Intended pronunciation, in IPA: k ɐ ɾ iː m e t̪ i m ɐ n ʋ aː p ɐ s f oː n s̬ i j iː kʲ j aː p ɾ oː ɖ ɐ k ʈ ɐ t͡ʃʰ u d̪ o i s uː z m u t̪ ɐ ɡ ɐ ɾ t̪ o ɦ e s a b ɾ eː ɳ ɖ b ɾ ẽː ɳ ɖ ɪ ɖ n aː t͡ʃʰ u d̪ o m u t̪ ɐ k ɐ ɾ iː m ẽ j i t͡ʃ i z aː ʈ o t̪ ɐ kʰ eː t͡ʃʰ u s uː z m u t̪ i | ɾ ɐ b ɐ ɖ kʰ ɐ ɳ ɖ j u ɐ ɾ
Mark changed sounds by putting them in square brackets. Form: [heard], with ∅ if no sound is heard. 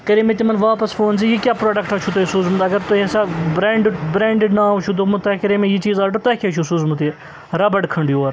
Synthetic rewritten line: k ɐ ɾ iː m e t̪ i m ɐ n ʋ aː p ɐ s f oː n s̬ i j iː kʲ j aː p ɾ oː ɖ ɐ k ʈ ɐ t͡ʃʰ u [t̪] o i s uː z m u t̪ ɐ ɡ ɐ ɾ t̪ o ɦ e s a b ɾ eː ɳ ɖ b ɾ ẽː ɳ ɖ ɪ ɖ n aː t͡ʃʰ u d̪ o m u t̪ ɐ k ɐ ɾ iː m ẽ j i t͡ʃ [iː] z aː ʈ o t̪ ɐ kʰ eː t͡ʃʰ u s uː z m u t̪ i | ɾ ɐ b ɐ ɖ kʰ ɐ ɳ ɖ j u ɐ ɾ